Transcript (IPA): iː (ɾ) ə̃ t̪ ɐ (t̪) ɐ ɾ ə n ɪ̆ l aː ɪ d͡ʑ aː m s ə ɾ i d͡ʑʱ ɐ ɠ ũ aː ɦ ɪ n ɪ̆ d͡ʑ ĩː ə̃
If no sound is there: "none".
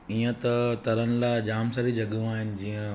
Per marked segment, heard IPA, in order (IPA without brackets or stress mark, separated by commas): none, t̪